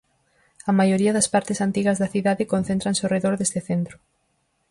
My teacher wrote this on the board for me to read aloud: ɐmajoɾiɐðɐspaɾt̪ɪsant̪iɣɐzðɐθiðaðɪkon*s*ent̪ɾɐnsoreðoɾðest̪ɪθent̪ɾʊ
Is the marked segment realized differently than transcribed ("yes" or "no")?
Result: yes